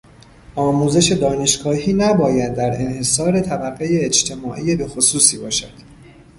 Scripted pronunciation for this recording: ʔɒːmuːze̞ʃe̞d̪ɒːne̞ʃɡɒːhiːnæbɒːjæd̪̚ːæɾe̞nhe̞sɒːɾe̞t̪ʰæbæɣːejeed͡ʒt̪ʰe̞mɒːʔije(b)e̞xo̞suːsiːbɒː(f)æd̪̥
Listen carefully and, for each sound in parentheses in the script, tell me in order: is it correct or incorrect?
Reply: correct, incorrect: ʃ

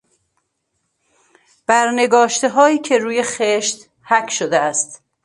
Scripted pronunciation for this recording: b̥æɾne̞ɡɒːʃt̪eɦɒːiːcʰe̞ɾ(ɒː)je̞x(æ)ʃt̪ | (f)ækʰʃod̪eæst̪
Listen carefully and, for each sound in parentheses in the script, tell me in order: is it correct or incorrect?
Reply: incorrect: uː, incorrect: e, incorrect: h

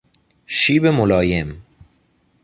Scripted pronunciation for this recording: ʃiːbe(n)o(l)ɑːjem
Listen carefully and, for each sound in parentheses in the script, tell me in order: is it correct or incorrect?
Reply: incorrect: m, correct

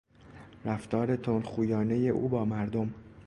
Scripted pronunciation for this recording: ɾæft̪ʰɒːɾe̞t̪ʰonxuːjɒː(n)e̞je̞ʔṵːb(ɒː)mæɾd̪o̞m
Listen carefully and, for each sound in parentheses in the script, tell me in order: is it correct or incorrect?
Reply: correct, correct

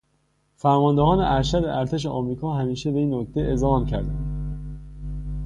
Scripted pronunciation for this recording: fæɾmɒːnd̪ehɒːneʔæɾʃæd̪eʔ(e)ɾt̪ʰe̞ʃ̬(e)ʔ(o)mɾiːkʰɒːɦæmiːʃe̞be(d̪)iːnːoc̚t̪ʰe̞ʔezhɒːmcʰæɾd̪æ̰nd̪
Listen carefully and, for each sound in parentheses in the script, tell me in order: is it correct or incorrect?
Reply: incorrect: æ, correct, incorrect: ɒ, incorrect: none

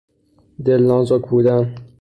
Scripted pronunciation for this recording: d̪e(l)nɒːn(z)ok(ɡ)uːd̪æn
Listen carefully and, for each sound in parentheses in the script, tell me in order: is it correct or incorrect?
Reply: correct, correct, incorrect: b

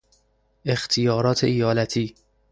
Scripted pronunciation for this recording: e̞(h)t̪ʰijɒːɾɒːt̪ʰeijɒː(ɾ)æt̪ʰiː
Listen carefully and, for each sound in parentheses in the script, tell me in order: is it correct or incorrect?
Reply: incorrect: x, incorrect: l

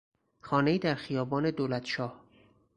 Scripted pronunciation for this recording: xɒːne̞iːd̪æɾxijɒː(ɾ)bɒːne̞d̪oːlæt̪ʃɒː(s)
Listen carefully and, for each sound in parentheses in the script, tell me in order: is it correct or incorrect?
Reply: incorrect: none, incorrect: h

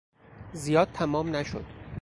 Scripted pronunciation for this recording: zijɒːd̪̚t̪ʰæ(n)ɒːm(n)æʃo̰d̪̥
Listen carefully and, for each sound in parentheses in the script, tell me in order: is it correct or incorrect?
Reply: incorrect: m, correct

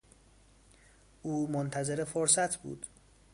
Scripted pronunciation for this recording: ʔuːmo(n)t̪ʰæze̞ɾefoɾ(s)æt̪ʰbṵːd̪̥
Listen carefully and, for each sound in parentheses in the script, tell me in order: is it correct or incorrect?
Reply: correct, correct

